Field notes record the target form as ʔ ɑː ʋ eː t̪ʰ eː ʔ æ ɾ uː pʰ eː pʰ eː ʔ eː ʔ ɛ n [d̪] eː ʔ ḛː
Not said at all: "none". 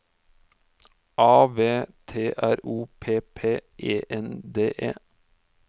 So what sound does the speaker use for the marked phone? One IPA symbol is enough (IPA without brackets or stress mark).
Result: d̪